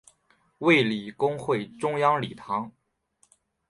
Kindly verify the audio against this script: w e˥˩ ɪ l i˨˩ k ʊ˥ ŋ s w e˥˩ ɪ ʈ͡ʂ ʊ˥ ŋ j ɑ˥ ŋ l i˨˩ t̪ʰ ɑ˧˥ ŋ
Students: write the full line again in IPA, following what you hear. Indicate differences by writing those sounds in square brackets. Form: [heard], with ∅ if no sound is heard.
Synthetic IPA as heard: w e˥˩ ɪ l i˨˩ k ʊ˥ ŋ [x] w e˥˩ ɪ ʈ͡ʂ ʊ˥ ŋ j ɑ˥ ŋ l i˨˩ t̪ʰ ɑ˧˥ ŋ